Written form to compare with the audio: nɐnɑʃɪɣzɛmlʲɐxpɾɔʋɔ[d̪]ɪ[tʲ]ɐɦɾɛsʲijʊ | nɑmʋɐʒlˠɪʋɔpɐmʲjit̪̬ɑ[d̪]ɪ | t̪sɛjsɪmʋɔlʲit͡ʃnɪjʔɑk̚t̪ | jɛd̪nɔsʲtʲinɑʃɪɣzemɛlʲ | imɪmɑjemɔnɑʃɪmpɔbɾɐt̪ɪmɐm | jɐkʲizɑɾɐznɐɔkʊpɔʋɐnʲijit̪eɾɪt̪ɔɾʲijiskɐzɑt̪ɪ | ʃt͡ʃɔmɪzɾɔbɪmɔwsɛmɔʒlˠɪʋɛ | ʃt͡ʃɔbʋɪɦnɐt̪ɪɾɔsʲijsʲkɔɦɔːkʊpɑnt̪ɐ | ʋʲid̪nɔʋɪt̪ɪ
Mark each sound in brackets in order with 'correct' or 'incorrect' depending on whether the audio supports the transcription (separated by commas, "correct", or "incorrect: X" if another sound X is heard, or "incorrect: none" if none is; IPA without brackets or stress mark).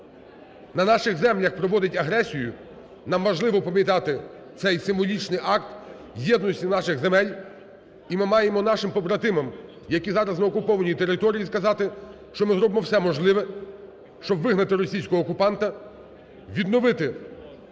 correct, correct, incorrect: t̪